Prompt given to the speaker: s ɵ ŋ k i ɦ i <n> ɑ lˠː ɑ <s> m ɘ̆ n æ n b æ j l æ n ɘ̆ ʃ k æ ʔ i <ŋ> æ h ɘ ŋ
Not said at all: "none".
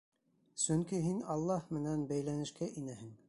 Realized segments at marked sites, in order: n, h, n

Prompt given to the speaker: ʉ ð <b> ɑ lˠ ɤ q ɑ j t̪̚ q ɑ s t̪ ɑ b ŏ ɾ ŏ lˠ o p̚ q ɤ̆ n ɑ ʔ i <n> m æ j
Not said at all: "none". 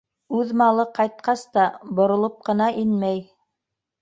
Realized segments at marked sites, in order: m, n

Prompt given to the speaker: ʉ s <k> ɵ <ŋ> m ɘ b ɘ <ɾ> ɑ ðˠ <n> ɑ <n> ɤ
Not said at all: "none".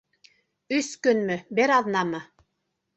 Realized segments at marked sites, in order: k, n, ɾ, n, m

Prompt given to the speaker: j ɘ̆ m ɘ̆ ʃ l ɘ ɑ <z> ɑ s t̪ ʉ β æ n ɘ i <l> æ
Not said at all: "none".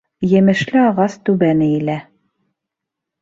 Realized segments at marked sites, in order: ʁ, l

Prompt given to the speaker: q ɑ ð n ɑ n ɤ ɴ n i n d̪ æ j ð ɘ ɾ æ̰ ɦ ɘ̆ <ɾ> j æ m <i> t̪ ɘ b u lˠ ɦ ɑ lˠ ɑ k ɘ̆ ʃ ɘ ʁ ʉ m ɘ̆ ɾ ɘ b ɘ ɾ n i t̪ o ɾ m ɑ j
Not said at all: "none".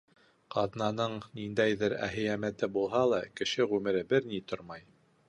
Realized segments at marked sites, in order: none, æ

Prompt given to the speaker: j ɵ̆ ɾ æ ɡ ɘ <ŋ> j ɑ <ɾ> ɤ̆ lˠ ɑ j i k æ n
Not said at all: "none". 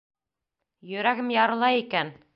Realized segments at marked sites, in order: m, ɾ

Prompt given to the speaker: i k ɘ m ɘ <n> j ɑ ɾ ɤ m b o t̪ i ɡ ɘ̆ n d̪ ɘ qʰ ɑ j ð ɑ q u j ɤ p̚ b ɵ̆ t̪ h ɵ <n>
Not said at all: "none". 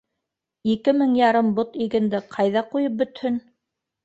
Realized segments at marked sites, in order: ŋ, n

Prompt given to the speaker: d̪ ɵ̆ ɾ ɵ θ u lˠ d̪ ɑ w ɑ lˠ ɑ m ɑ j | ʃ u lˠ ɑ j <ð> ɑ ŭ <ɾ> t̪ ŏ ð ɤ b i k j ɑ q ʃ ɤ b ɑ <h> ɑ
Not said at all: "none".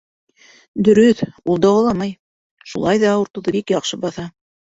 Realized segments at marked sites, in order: ð, ɾ, θ

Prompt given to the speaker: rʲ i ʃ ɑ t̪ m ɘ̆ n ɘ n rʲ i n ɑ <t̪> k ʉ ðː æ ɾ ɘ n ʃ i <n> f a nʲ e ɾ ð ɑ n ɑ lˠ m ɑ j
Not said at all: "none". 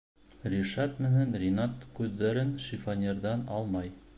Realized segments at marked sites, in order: t̪, none

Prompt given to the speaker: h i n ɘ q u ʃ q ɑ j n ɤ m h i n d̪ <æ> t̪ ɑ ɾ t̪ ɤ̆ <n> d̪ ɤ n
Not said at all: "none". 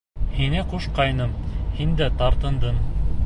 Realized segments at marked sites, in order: æ, n

